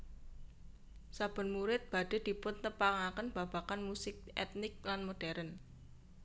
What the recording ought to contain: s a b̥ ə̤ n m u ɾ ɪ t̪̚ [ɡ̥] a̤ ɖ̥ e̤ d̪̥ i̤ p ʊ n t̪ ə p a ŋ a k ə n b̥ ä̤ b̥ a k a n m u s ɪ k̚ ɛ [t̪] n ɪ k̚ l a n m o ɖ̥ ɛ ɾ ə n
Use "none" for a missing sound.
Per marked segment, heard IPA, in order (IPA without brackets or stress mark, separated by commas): b̥, t̪